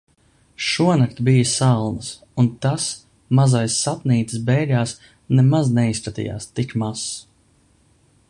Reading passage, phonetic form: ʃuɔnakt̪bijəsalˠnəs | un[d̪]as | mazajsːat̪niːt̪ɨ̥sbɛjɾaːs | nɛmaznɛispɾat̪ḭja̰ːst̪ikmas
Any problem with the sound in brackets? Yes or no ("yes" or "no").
yes